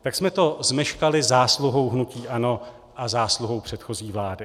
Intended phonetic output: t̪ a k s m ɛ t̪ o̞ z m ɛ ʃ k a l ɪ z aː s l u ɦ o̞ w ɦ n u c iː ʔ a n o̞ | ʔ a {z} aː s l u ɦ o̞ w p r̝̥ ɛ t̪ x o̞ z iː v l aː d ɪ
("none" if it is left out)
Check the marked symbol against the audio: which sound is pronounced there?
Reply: z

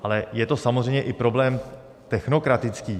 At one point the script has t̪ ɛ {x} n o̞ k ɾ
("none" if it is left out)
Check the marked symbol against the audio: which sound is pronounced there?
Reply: x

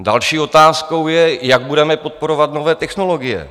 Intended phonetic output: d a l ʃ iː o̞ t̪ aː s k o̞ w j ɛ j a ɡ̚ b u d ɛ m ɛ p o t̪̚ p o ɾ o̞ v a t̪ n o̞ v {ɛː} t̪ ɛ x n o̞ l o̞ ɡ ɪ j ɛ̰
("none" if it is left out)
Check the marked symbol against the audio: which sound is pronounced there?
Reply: ɛː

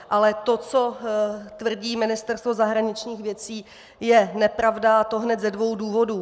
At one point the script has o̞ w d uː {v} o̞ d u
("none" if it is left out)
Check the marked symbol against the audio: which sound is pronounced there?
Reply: v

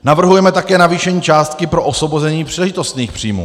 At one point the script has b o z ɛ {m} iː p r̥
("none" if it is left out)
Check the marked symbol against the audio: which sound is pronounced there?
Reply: ɲ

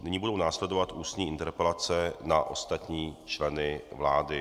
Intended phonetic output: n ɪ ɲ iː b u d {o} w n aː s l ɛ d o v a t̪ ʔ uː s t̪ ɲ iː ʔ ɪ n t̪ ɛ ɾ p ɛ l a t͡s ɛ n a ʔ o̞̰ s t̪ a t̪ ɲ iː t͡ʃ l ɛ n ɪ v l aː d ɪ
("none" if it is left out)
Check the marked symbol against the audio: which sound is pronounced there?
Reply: o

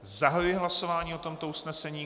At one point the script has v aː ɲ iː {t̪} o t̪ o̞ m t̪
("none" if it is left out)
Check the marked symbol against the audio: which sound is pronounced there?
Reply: none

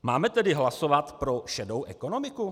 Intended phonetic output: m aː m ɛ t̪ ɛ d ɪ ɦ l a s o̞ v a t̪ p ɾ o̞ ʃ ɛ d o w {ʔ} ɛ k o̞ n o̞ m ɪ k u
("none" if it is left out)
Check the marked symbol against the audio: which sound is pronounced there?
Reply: ʔ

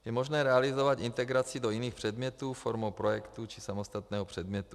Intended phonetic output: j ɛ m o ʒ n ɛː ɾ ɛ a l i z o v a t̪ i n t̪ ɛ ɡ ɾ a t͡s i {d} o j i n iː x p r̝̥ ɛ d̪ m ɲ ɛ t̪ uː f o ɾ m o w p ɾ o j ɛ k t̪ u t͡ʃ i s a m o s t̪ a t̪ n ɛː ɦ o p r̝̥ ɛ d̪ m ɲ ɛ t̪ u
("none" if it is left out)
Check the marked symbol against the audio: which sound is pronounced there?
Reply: d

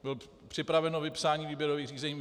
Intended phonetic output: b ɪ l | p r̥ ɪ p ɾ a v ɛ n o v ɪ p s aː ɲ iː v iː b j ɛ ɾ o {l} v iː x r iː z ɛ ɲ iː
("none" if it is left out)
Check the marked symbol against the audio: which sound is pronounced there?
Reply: none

